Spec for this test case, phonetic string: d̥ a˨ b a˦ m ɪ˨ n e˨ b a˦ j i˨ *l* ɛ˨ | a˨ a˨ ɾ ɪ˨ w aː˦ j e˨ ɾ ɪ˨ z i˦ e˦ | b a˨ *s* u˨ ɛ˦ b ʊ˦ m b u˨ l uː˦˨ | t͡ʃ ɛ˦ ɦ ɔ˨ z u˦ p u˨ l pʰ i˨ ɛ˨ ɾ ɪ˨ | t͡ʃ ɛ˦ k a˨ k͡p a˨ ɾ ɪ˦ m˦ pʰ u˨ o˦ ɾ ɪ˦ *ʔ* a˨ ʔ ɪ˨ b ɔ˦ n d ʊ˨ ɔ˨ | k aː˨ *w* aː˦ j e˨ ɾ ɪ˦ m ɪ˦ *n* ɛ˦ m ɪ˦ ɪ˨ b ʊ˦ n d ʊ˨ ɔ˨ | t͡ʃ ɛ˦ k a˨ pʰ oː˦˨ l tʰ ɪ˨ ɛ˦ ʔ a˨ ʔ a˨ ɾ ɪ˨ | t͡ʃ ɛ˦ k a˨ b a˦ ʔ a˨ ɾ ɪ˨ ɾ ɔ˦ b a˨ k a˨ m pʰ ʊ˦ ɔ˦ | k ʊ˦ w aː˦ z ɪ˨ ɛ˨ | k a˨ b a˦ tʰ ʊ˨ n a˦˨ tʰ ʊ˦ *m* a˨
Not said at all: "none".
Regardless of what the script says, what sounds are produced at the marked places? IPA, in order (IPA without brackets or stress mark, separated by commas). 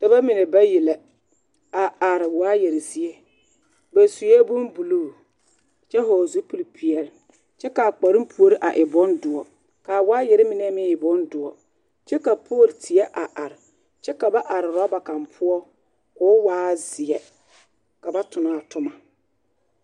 l, s, ʔ, w, n, m